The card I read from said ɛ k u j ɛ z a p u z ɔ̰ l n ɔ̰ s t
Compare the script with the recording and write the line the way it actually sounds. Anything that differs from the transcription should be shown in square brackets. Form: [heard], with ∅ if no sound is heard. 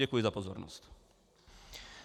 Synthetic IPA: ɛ k u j ɛ z a p [ɔ] z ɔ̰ [ɾ] n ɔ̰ s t